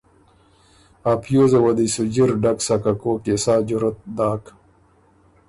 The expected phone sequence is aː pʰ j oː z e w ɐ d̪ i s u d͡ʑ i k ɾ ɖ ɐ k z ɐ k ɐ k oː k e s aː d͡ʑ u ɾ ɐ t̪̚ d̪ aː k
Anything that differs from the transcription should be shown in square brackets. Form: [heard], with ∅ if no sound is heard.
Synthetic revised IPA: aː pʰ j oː z e w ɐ d̪ i s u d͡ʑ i [∅] ɾ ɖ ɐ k [s] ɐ k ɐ k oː k e s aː d͡ʑ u ɾ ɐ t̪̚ d̪ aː k